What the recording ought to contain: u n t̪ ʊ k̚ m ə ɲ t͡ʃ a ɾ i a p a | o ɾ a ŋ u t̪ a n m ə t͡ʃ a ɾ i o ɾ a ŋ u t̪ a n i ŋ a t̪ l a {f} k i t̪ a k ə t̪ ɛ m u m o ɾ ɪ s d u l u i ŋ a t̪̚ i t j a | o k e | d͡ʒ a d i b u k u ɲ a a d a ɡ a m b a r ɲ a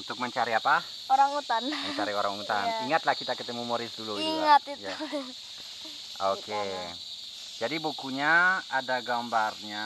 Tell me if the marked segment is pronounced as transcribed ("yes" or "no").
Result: no